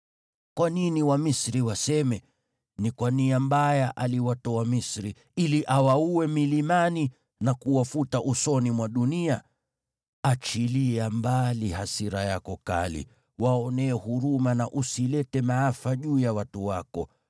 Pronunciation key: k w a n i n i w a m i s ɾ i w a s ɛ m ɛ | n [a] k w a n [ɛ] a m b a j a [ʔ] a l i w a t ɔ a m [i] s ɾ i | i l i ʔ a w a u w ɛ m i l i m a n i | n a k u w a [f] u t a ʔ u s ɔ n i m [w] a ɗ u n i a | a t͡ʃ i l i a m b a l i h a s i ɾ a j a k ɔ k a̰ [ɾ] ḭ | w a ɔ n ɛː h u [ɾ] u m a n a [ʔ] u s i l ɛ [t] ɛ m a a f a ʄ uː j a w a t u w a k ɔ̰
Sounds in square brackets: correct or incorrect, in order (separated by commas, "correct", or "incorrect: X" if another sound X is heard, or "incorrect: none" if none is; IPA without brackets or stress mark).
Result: incorrect: i, incorrect: i, correct, correct, correct, correct, incorrect: l, correct, correct, correct